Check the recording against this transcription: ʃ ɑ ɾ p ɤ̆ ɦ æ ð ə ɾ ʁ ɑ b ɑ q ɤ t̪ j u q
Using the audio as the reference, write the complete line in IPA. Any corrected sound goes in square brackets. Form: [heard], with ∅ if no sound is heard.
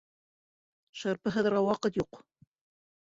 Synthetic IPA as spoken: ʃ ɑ ɾ p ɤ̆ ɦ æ ð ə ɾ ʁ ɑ [w] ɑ q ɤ t̪ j u q